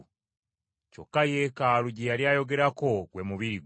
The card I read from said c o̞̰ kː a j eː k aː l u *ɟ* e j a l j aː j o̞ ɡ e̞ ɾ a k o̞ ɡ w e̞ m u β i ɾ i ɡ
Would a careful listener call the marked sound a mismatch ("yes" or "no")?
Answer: no